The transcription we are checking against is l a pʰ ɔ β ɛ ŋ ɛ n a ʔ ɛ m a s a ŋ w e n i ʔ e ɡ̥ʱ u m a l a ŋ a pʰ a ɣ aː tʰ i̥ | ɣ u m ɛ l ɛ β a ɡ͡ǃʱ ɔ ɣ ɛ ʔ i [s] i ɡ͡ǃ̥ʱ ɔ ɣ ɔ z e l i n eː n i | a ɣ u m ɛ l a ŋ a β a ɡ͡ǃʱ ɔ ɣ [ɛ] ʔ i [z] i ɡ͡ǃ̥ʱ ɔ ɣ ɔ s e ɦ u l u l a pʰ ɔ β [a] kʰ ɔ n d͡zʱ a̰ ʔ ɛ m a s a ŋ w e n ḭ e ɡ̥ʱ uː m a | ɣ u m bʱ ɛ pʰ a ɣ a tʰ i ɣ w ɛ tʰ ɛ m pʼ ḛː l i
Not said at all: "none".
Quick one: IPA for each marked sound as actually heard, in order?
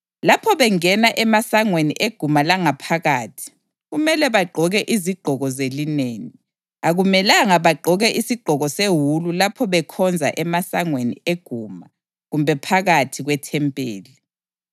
z, ɛ, s, ɛ

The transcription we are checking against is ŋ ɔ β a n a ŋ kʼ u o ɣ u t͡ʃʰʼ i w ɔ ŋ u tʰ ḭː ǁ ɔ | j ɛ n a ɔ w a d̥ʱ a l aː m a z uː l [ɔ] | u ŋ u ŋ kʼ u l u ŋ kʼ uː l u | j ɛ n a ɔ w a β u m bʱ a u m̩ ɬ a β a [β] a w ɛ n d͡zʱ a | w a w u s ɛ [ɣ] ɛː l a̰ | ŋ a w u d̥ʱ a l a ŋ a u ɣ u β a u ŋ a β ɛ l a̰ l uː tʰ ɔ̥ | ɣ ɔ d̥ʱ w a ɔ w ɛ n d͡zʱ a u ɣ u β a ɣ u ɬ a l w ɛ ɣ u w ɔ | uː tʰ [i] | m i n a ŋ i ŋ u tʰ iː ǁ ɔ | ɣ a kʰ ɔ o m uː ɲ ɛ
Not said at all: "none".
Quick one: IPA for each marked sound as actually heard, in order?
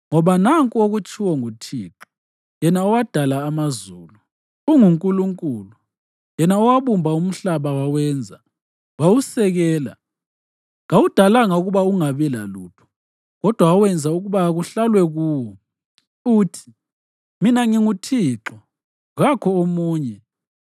u, w, ɣ, i

